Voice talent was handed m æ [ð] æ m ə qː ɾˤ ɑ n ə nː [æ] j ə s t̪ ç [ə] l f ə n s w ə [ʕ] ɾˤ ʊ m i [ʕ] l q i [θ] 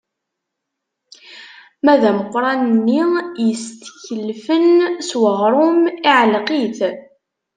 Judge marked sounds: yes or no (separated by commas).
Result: yes, no, yes, no, yes, yes